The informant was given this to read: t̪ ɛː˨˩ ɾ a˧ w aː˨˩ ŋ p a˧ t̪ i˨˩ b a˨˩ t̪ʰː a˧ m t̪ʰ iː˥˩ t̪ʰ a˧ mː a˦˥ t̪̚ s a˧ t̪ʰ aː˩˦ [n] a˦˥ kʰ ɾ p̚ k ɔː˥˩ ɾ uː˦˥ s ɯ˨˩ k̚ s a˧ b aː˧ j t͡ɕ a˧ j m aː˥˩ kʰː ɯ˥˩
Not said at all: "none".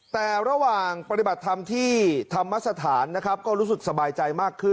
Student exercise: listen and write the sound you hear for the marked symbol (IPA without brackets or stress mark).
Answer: nː